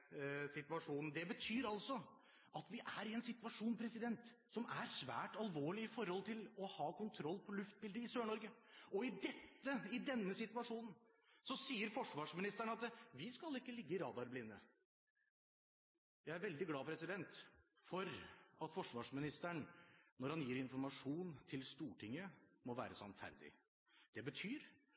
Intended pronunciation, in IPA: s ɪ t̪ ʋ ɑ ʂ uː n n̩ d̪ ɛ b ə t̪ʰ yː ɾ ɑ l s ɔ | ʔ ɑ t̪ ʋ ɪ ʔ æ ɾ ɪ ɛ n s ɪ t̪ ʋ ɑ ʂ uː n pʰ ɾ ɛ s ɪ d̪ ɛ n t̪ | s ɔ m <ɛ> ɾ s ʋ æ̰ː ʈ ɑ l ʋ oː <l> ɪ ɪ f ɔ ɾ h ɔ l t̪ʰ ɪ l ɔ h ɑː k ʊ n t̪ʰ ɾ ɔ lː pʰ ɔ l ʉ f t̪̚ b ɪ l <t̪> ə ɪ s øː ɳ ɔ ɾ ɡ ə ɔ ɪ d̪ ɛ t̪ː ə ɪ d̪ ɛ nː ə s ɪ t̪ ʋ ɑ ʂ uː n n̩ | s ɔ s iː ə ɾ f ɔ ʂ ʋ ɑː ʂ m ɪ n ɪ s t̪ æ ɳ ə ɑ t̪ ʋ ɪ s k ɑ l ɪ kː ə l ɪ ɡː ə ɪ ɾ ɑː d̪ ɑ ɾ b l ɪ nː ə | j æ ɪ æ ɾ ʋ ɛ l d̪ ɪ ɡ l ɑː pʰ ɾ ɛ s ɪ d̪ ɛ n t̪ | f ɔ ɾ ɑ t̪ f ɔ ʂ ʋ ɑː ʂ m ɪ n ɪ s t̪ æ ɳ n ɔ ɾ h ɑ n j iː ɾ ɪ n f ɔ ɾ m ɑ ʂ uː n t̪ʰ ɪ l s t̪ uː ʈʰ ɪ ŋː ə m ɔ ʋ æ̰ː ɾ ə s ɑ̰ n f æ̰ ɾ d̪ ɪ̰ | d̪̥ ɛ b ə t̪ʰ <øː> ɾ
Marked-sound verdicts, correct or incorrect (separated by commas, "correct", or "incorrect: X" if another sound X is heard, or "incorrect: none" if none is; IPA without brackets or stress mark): incorrect: æ, incorrect: ɭ, incorrect: d̪, incorrect: yː